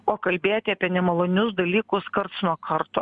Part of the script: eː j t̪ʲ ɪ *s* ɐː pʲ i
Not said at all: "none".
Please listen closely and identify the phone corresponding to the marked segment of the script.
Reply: none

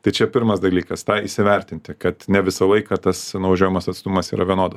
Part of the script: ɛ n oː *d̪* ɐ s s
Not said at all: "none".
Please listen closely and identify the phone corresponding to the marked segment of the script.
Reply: d̪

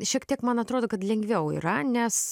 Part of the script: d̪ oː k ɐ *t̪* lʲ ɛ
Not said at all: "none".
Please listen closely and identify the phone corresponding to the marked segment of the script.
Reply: t̪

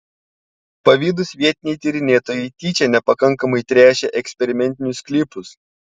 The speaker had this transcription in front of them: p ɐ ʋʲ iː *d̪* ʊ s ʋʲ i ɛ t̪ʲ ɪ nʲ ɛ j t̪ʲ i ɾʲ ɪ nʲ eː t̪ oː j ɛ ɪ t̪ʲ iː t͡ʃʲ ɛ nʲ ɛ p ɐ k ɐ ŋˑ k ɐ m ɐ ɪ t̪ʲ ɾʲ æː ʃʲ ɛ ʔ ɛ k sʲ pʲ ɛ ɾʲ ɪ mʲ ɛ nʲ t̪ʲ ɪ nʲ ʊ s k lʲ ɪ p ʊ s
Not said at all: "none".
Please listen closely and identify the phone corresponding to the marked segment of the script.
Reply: d̪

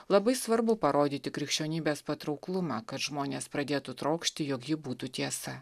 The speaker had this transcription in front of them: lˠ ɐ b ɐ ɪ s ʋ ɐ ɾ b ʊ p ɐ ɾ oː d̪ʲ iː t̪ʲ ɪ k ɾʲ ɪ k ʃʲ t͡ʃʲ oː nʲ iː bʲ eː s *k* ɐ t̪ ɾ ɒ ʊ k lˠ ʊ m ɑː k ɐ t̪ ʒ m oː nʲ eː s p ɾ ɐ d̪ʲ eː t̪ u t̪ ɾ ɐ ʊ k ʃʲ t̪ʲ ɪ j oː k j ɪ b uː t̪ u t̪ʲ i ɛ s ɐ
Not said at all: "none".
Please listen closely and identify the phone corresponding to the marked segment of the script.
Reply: p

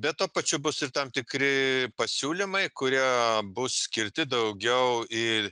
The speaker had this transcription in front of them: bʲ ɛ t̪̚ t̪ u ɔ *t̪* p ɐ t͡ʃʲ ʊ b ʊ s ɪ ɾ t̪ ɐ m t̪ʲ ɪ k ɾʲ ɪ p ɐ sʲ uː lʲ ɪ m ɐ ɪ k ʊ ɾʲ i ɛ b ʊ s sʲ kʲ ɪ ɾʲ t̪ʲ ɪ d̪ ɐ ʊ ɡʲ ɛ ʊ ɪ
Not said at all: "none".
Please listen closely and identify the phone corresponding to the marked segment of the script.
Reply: none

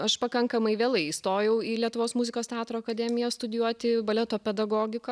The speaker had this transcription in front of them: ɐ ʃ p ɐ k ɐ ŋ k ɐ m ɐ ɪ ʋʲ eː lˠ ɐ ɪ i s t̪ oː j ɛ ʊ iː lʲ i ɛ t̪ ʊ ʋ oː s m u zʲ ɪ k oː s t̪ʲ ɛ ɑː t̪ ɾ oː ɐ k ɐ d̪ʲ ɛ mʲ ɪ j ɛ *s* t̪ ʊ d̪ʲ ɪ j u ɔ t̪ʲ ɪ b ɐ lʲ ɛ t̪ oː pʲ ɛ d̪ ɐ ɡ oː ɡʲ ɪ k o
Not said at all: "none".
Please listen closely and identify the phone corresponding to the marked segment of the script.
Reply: s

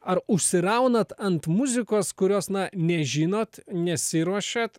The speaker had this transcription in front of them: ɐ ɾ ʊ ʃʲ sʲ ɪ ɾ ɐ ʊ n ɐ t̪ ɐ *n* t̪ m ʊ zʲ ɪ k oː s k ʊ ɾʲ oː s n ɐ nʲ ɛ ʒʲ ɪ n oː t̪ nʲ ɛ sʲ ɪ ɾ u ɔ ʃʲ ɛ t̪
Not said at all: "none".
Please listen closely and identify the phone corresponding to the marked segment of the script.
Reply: n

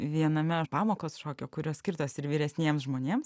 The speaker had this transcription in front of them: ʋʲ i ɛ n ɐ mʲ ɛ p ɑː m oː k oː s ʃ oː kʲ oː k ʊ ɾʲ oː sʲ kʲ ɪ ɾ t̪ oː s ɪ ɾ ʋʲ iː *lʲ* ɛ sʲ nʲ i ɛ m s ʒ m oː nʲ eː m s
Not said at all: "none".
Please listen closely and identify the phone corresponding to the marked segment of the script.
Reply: ɾʲ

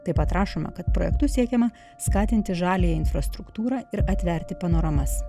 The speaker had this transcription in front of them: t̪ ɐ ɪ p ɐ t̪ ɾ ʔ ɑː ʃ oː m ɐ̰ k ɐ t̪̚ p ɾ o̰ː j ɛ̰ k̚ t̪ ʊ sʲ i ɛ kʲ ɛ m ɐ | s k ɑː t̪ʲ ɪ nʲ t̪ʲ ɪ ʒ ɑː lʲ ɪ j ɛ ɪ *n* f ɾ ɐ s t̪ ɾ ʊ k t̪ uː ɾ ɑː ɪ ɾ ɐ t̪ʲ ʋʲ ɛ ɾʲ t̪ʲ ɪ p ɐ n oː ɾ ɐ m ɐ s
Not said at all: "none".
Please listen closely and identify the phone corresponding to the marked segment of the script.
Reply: n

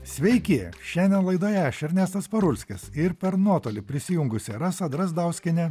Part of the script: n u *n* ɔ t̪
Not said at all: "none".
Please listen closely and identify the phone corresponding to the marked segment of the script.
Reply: none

